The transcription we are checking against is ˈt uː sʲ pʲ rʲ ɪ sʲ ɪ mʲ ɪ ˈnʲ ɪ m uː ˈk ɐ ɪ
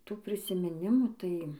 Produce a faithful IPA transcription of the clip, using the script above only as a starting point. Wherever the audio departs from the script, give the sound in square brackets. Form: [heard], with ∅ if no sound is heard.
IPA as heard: ˈt uː [∅] pʲ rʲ ɪ sʲ ɪ mʲ ɪ ˈnʲ ɪ m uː [ˈt] ɐ ɪ